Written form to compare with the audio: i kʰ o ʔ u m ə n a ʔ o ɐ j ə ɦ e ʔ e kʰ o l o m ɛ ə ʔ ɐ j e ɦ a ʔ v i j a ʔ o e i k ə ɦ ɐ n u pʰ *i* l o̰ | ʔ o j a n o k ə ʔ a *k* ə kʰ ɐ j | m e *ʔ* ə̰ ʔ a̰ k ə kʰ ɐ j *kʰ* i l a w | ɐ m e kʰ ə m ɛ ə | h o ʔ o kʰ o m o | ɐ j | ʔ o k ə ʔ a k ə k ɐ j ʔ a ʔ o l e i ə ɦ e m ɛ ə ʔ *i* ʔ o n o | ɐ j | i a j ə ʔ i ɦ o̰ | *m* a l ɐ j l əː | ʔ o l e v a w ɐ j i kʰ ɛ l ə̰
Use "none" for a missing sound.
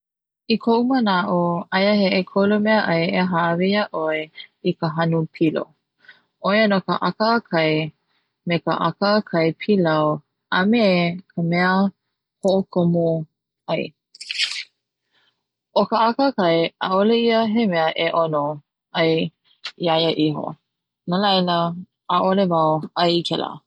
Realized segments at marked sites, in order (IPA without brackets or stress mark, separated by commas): i, k, k, pʰ, e, n